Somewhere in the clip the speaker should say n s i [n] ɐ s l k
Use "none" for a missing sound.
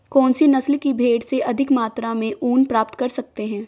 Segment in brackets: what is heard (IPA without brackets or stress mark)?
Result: n